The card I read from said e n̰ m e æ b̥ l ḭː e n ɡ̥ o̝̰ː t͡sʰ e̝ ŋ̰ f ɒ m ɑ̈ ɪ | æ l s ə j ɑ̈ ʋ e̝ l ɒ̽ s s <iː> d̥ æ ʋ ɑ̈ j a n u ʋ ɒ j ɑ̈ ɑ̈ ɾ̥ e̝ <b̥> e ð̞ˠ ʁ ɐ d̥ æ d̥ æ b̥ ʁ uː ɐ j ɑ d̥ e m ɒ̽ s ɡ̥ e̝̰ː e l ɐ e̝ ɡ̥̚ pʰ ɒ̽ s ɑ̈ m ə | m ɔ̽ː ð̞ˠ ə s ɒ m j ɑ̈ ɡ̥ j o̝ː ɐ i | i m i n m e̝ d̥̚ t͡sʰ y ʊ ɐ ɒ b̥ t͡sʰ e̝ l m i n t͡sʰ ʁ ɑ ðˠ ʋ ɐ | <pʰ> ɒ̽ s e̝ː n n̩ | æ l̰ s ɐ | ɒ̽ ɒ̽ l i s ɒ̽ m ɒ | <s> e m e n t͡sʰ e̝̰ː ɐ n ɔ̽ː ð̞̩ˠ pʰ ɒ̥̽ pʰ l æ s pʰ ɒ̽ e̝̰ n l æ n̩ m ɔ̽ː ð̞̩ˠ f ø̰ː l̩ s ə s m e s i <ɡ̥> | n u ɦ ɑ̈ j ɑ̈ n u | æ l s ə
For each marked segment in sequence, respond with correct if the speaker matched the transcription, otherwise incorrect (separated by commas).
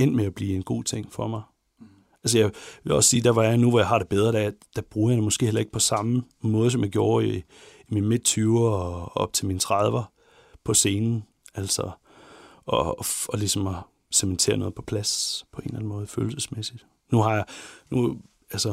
correct, correct, correct, correct, incorrect